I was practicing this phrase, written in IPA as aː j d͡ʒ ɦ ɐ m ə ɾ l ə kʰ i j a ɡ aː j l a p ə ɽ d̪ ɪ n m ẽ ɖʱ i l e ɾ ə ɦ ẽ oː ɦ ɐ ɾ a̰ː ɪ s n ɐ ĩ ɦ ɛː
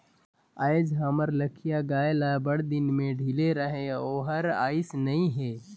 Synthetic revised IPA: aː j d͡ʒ ɦ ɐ m ə ɾ l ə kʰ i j a ɡ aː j l a b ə ɽ d̪ ɪ n m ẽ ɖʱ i l e ɾ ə ɦ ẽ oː ɦ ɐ ɾ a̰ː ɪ s n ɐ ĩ ɦ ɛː